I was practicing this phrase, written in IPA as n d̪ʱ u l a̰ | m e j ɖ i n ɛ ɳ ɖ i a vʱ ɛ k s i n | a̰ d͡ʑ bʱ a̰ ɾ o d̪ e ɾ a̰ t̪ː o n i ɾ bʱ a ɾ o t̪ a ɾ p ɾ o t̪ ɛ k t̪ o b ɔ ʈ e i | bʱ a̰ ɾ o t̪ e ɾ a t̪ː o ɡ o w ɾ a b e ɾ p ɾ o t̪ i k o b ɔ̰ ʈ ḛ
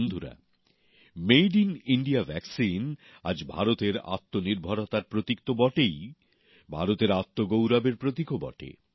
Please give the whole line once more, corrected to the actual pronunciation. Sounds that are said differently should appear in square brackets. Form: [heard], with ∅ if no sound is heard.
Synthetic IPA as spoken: n d̪ʱ u [ɾ] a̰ | m e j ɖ i n [i] ɳ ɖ i a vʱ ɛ k s i n | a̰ d͡ʑ bʱ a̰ ɾ o [t̪] e ɾ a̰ t̪ː o n i ɾ bʱ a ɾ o t̪ a ɾ p ɾ o t̪ [i] k t̪ o b ɔ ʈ e [j] | bʱ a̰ ɾ o t̪ e ɾ a t̪ː o ɡ o w ɾ a b e ɾ p ɾ o t̪ i k o b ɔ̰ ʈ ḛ